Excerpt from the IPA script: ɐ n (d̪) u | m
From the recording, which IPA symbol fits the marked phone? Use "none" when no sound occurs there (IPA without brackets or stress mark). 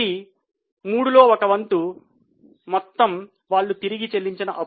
t̪